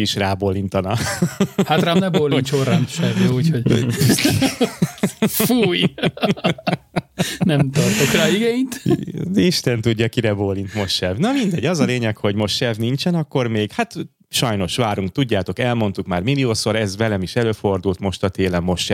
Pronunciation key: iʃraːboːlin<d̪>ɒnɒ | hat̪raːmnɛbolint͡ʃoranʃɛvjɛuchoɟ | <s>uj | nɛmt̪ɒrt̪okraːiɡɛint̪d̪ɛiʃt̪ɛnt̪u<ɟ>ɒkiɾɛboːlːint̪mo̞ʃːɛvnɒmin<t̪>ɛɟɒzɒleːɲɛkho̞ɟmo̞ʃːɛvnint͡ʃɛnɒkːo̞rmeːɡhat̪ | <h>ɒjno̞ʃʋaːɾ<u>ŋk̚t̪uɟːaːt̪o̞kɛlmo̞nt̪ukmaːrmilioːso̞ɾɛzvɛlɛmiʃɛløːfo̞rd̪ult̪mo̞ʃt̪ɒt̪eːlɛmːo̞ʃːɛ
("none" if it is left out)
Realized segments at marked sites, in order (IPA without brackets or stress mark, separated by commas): t̪, f, ɟː, d̪, ʃ, u